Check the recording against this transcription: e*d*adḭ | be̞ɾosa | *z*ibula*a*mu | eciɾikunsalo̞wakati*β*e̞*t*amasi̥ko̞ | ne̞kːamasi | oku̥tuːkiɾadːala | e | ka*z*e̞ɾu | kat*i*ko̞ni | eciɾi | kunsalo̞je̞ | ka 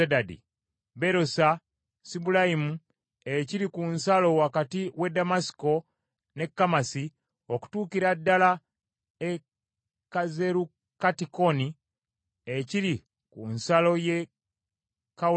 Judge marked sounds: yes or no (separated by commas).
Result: yes, no, no, no, no, yes, yes